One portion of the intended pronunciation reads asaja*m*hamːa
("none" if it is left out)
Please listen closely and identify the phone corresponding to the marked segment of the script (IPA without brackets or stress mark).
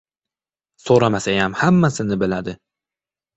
m